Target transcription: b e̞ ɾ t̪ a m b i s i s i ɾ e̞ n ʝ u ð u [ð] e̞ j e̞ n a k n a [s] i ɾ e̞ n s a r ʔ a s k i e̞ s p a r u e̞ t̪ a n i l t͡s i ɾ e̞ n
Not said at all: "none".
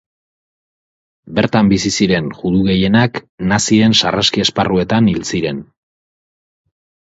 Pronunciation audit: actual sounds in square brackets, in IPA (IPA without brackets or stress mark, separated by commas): ɣ, s